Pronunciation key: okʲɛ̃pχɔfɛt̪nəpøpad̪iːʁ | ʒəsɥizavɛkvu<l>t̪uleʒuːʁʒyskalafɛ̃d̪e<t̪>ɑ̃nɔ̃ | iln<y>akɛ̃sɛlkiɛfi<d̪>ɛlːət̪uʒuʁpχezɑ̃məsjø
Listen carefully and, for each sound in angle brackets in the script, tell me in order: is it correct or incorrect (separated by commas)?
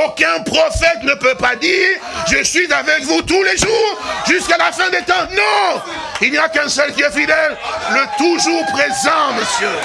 incorrect, correct, incorrect, correct